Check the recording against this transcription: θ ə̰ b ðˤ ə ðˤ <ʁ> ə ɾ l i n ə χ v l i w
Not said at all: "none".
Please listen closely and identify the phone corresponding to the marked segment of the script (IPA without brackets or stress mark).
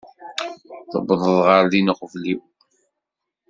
ʁ